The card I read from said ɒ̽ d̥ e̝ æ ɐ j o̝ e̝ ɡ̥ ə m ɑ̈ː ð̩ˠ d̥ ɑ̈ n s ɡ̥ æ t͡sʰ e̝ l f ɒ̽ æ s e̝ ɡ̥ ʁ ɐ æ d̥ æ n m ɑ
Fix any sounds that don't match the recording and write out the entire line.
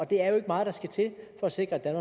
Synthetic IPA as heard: ɒ̽ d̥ e̝ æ ɐ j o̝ e̝ ɡ̥ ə m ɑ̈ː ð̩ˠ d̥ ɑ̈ s ɡ̥ æ t͡sʰ e̝ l f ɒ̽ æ s e̝ ɡ̥ ʁ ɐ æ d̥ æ n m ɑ